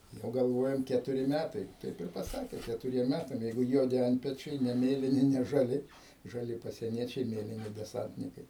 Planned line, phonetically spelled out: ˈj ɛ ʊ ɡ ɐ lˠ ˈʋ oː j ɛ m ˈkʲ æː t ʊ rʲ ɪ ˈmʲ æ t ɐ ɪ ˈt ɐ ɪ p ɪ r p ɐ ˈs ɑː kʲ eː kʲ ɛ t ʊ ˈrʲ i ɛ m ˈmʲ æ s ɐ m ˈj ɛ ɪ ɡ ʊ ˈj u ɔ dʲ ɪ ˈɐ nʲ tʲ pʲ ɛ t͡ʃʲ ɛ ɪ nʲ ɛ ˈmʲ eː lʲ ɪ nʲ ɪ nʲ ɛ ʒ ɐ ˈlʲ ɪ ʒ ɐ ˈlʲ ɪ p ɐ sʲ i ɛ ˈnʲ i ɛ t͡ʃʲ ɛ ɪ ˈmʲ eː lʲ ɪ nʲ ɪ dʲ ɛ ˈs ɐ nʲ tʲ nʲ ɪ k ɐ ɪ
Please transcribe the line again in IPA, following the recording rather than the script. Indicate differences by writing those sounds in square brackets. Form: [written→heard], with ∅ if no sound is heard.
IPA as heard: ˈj ɛ ʊ ɡ ɐ lˠ ˈʋ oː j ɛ m ˈkʲ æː t ʊ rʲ ɪ ˈmʲ æ t ɐ ɪ ˈt ɐ ɪ p ɪ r p ɐ ˈs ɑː kʲ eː kʲ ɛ t ʊ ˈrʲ i ɛ m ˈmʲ æ [s→t] ɐ m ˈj ɛ ɪ ɡ ʊ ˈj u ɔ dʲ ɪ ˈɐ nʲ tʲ pʲ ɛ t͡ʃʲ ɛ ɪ nʲ ɛ ˈmʲ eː lʲ ɪ nʲ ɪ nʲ ɛ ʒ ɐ ˈlʲ ɪ ʒ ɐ ˈlʲ ɪ p ɐ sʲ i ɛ ˈnʲ i ɛ t͡ʃʲ ɛ ɪ ˈmʲ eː lʲ ɪ nʲ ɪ dʲ ɛ ˈs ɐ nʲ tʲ nʲ ɪ k ɐ ɪ

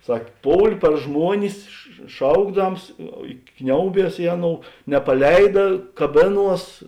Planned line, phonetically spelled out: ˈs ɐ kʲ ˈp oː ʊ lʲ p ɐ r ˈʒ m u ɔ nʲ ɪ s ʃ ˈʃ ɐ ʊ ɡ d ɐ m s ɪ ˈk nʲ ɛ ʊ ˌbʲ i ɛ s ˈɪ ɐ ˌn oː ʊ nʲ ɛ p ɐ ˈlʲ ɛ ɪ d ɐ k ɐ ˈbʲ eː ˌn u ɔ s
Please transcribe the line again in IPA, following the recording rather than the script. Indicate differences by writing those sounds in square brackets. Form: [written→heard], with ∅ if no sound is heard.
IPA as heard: ˈs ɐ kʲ ˈp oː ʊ lʲ p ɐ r ˈʒ m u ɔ nʲ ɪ s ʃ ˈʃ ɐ ʊ ɡ d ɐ m s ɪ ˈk nʲ ɛ ʊ ˌbʲ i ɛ s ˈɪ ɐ ˌn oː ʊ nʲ ɛ p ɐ ˈlʲ ɛ ɪ d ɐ k ɐ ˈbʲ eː ˌn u ɔ s

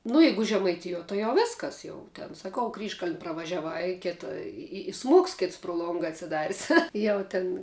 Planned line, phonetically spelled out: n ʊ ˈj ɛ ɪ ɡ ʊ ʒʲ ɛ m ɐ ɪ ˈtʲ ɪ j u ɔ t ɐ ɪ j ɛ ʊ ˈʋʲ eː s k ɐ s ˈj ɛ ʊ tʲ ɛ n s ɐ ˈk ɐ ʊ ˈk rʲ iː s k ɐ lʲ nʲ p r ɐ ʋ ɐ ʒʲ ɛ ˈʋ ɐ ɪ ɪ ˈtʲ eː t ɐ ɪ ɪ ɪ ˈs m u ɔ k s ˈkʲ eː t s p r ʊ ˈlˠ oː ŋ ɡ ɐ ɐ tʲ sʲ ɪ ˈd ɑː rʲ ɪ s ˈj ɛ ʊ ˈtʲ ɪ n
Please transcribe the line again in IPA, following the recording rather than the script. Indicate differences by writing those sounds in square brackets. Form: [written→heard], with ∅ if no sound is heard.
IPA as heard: n ʊ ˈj ɛ ɪ ɡ ʊ ʒʲ ɛ m ɐ ɪ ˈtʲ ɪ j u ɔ t ɐ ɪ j ɛ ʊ ˈʋʲ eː s k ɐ s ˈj ɛ ʊ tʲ ɛ n s ɐ ˈk ɐ ʊ ˈk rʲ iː [s→ʃ] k ɐ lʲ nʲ p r ɐ ʋ ɐ ʒʲ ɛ ˈʋ ɐ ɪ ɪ [ˈtʲ→ˈkʲ] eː t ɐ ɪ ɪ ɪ ˈs m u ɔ k s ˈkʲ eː t s p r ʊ ˈlˠ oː ŋ ɡ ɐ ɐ tʲ sʲ ɪ ˈd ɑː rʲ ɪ s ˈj ɛ ʊ ˈtʲ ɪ n

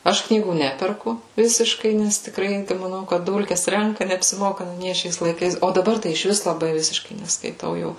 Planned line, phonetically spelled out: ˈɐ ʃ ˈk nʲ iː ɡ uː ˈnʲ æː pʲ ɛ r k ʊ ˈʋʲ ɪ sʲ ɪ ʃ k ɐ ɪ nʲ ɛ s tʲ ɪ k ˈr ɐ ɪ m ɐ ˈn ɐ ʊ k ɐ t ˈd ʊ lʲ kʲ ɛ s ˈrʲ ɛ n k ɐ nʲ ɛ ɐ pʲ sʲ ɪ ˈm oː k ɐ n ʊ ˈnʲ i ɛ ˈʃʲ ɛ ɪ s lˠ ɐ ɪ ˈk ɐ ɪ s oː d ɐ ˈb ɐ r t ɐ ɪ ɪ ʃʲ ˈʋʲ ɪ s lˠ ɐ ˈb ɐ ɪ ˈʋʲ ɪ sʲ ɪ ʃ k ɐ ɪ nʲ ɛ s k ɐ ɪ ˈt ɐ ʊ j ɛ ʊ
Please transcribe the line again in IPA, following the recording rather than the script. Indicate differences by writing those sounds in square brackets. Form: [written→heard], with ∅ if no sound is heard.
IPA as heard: ˈɐ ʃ ˈk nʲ iː ɡ uː ˈnʲ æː pʲ ɛ r k ʊ ˈʋʲ ɪ sʲ ɪ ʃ k ɐ ɪ nʲ ɛ s tʲ ɪ k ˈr ɐ ɪ m ɐ ˈn ɐ ʊ k ɐ t ˈd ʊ lʲ kʲ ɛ s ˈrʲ ɛ [n→ŋ] k ɐ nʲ ɛ ɐ pʲ sʲ ɪ ˈm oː k ɐ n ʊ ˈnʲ i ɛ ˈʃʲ ɛ ɪ s lˠ ɐ ɪ ˈk ɐ ɪ s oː d ɐ ˈb ɐ r t ɐ ɪ ɪ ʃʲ ˈʋʲ ɪ s lˠ ɐ ˈb ɐ ɪ ˈʋʲ ɪ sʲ ɪ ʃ k ɐ ɪ nʲ ɛ s k ɐ ɪ ˈt ɐ ʊ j ɛ ʊ

